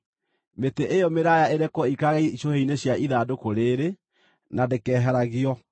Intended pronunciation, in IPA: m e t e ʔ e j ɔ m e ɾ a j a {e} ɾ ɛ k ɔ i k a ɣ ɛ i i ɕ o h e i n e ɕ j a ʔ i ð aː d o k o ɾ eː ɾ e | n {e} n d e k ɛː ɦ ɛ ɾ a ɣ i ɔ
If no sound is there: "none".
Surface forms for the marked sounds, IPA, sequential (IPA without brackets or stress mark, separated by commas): e, a